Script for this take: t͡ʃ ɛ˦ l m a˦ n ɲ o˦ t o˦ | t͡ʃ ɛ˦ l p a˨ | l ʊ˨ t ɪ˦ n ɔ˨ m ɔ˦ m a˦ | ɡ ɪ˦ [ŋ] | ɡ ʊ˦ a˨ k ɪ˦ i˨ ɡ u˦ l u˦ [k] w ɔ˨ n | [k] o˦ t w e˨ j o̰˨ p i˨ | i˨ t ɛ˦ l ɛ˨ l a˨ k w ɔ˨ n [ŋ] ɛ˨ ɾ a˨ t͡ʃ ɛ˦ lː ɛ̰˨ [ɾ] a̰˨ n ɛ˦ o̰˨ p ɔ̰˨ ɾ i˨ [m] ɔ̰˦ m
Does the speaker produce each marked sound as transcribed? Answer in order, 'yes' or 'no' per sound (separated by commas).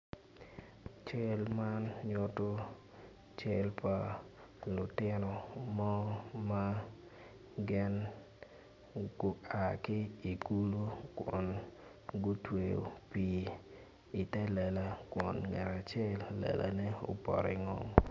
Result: no, yes, no, yes, no, no